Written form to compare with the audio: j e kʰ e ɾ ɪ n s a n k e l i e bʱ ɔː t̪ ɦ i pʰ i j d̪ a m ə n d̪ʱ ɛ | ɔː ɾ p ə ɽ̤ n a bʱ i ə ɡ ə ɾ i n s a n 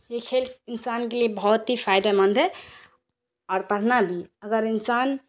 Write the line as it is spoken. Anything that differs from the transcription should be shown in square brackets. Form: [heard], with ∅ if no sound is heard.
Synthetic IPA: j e kʰ e [l] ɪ n s a n k e l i e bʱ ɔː t̪ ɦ i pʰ [a] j d̪ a m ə n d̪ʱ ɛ | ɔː ɾ p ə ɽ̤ n a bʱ i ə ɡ ə ɾ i n s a n